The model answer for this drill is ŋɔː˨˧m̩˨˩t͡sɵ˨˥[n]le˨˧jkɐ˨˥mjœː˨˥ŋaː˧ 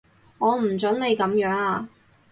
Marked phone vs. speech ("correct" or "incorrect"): correct